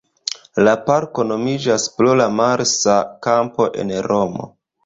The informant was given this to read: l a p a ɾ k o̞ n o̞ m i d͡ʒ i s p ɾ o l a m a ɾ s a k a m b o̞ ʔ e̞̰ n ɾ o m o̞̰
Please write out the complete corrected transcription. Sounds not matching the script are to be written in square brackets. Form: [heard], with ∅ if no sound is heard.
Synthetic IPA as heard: l a p a ɾ k o̞ n o̞ m i d͡ʒ [a] s p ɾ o l a m a ɾ s a k a m [p] o̞ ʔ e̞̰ n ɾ o m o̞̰